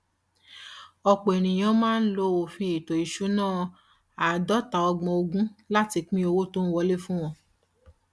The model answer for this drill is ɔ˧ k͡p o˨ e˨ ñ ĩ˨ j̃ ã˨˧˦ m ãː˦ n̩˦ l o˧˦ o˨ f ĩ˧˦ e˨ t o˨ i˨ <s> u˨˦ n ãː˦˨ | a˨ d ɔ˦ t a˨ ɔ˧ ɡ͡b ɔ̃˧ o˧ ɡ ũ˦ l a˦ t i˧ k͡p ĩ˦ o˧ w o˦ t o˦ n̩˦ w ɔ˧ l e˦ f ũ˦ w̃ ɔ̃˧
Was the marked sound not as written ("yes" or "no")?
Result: yes